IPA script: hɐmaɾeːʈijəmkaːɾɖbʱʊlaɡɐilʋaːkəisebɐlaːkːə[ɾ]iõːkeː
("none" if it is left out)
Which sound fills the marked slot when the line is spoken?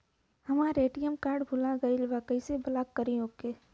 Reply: ɾ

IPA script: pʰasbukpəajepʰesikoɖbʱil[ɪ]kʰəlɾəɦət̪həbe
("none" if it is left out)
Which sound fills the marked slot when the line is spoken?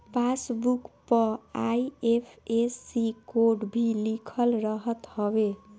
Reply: i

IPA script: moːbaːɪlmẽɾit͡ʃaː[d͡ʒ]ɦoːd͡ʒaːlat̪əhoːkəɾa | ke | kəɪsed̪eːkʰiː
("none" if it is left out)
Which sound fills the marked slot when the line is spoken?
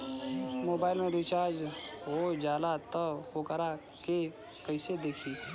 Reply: d͡ʒ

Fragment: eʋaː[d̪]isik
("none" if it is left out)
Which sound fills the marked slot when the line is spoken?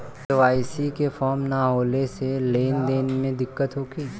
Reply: none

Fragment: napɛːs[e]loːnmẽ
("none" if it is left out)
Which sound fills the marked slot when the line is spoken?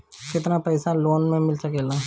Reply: a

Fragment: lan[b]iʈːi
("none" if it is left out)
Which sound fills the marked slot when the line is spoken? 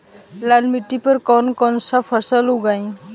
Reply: m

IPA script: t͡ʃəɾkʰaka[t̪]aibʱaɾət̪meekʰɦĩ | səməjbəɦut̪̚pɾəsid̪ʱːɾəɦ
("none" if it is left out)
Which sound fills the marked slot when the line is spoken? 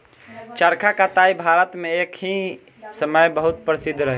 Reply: t̪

